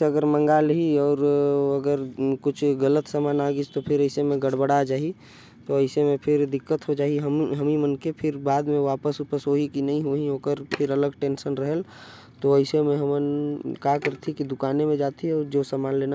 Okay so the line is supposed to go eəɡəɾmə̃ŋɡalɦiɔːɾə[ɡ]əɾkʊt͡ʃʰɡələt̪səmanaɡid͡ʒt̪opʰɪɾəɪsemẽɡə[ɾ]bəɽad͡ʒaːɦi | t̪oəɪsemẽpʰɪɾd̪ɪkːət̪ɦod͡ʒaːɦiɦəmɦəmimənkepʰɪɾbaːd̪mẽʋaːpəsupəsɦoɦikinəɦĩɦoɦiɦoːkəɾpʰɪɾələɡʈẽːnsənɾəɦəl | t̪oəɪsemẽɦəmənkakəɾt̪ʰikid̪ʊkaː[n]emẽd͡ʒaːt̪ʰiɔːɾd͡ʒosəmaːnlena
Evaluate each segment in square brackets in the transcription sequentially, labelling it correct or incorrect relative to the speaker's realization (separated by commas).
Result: correct, incorrect, correct